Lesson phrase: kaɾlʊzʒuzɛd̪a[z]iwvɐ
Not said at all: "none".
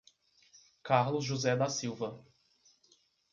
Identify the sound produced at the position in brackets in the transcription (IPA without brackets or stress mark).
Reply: s